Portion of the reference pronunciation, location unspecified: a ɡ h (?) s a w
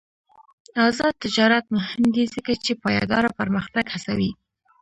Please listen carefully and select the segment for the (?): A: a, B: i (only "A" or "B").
A